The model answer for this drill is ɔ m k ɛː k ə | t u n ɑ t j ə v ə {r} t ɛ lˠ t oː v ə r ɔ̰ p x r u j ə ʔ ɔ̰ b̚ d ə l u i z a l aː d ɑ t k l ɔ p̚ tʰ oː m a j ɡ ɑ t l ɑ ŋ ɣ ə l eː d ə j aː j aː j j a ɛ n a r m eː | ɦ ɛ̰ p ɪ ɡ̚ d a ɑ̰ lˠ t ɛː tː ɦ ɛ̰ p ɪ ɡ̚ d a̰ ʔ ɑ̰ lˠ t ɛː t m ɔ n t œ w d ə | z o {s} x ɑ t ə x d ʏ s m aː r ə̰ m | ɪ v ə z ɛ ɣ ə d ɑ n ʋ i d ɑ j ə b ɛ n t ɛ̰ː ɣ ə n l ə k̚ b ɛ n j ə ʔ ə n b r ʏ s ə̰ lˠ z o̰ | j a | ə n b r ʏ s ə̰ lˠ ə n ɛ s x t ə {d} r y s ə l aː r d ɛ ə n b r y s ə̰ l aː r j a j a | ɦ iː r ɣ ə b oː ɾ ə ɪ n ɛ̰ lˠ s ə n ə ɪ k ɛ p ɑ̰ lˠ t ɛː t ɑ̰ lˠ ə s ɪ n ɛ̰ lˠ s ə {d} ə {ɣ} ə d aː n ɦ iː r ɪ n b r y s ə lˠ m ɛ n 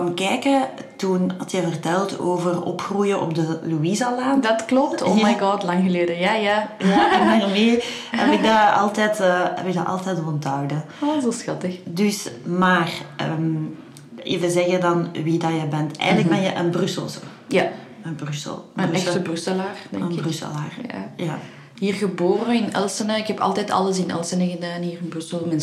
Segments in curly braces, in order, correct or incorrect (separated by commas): correct, correct, incorrect, incorrect, correct